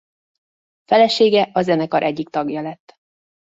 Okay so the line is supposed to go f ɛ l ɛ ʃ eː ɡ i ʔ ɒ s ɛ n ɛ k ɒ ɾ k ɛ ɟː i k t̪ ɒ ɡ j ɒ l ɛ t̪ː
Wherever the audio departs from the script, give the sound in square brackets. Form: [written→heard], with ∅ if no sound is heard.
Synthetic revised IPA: f ɛ l ɛ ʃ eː ɡ [i→ɛ] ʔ ɒ [s→z] ɛ n ɛ k ɒ ɾ [k→ʔ] ɛ ɟː i k t̪ ɒ ɡ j ɒ l ɛ t̪ː